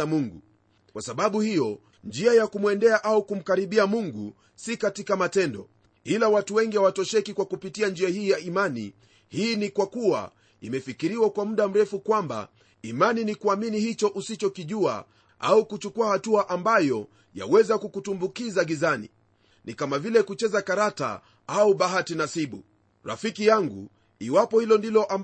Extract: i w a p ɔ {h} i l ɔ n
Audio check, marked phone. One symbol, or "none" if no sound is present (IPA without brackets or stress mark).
h